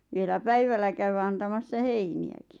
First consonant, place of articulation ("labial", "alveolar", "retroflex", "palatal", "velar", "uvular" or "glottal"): labial